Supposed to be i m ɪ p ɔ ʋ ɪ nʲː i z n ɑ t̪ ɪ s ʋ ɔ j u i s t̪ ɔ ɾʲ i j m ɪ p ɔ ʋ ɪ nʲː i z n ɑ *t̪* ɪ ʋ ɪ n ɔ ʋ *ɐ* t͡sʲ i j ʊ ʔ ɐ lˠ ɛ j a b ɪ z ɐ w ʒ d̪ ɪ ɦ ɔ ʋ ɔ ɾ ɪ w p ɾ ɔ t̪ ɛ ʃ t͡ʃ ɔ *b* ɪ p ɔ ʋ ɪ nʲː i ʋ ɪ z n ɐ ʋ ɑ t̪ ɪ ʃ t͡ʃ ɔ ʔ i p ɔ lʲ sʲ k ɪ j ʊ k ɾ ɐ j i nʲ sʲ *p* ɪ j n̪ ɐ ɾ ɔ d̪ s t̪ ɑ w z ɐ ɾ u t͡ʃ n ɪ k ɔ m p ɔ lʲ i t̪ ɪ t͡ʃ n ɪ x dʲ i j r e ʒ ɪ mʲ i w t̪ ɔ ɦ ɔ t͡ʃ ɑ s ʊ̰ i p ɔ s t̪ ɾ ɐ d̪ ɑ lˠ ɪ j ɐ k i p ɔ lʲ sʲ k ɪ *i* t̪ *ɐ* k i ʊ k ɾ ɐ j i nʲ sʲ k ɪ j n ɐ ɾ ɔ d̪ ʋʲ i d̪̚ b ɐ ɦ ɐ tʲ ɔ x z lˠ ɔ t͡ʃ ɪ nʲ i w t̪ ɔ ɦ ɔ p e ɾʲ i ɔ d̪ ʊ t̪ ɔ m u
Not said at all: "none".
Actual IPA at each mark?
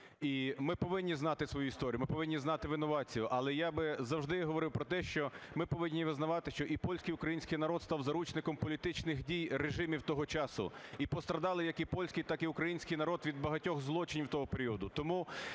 t̪, ɑ, m, k, j, ɑ

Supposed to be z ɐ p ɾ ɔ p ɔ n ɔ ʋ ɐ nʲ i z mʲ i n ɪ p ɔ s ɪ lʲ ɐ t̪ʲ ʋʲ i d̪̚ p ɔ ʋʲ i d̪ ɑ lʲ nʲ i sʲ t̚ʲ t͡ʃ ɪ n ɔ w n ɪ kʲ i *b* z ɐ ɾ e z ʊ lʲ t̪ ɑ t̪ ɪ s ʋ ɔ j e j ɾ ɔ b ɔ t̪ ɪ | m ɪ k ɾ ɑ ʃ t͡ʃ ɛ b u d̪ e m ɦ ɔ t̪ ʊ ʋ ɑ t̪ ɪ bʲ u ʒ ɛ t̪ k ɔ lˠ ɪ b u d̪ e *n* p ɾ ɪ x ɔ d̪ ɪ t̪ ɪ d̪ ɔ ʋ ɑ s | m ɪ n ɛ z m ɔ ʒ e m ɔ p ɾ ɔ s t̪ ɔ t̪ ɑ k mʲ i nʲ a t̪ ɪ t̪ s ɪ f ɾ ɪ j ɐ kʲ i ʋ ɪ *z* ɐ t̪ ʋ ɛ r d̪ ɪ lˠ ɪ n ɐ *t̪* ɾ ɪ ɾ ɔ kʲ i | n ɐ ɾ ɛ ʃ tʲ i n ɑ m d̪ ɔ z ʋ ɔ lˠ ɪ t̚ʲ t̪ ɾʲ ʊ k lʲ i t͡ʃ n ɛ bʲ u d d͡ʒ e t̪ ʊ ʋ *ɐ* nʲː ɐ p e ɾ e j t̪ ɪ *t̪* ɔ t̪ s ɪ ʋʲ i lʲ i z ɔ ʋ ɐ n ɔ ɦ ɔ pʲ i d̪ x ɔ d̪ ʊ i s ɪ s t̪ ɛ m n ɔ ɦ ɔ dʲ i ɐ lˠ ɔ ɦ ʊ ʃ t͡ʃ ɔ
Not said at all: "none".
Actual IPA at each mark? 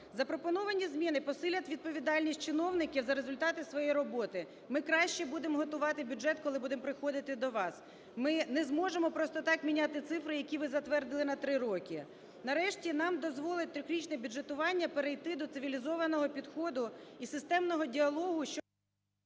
w, m, z, t̪, ɑ, d̪

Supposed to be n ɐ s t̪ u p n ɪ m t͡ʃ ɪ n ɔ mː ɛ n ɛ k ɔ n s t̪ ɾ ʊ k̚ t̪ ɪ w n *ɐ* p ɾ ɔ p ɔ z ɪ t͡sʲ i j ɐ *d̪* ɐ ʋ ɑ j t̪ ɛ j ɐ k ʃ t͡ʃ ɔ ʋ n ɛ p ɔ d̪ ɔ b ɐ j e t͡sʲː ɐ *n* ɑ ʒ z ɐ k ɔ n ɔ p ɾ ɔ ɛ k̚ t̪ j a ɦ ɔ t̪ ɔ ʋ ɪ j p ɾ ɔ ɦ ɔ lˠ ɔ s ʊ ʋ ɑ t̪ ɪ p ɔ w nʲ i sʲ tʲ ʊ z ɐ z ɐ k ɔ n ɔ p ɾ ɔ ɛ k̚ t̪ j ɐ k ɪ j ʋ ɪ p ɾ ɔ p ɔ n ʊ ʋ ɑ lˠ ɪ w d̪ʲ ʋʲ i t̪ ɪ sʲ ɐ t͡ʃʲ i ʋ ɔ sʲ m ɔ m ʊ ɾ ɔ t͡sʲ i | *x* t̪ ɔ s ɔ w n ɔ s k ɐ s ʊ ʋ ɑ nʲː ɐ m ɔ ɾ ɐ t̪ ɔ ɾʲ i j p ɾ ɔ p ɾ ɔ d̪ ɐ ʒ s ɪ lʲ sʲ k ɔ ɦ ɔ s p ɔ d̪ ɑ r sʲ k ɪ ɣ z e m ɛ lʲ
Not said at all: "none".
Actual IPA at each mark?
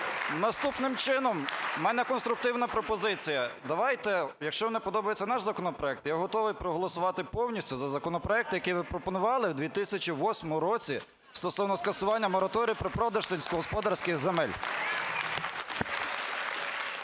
ɐ, d̪, n, s

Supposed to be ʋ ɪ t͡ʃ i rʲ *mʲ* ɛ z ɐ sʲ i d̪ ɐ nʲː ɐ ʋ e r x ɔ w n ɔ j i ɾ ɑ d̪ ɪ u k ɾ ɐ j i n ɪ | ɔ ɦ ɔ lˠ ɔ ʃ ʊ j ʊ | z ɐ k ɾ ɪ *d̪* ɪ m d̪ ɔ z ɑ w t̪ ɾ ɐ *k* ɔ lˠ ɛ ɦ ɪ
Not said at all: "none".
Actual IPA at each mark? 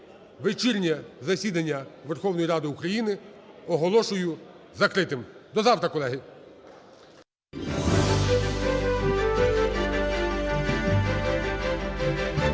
nʲ, t̪, k

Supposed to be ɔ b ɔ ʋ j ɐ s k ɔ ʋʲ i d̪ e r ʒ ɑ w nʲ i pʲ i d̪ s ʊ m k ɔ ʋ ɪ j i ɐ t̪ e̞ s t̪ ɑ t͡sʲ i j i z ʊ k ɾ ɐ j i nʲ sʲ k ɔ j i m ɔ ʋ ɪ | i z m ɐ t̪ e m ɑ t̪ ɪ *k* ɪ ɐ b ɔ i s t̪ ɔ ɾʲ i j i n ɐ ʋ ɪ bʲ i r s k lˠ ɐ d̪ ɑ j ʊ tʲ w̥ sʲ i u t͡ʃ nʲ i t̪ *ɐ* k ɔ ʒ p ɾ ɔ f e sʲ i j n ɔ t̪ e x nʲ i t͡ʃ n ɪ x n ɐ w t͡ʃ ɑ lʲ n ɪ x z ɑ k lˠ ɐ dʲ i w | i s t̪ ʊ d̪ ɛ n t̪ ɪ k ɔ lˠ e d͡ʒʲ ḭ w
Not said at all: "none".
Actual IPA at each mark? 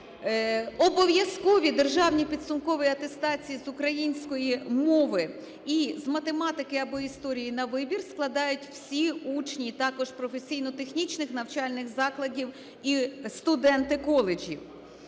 k, ɑ

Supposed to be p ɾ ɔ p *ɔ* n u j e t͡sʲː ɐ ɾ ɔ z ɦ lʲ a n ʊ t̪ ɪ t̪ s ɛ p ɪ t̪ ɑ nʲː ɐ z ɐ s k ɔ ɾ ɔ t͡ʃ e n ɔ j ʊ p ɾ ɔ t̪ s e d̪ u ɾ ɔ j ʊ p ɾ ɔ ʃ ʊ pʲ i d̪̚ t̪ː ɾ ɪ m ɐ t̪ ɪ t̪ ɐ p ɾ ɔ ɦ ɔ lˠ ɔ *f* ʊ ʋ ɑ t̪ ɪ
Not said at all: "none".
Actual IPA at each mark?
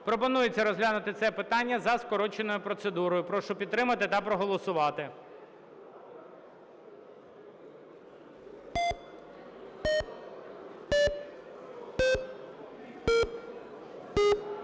ɔ, s

